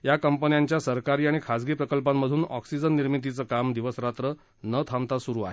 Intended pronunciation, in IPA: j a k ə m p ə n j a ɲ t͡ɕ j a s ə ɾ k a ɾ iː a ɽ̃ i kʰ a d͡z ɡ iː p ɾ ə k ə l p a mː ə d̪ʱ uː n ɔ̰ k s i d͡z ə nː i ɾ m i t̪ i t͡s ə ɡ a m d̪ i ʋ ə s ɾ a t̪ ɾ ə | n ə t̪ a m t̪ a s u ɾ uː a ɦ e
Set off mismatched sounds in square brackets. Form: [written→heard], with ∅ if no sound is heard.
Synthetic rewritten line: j a k ə m p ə n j a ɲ t͡ɕ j a s ə ɾ k a ɾ iː a ɽ̃ i kʰ a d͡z ɡ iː p ɾ ə k ə l p a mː ə d̪ʱ uː n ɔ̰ k s i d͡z ə nː i ɾ m i t̪ i t͡s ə [ɡ→k] a m d̪ i ʋ ə s ɾ a t̪ ɾ ə | n ə [t̪→t̪ʰ] a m t̪ a s u ɾ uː a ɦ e